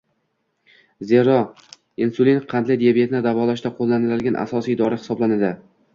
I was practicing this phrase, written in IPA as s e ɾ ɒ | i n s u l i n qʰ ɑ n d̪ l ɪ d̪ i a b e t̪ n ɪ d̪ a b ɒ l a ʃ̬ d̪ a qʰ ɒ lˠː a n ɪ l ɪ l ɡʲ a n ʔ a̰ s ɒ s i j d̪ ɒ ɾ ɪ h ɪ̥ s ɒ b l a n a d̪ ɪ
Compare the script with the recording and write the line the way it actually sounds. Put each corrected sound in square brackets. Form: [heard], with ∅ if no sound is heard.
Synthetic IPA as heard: [z] e ɾ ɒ | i n s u l i n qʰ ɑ n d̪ l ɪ d̪ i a b e t̪ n ɪ d̪ a [v] ɒ l a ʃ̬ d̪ a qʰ [o] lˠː a n ɪ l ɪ l ɡʲ a n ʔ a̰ s ɒ s i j d̪ ɒ ɾ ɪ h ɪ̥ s ɒ b l a n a d̪ ɪ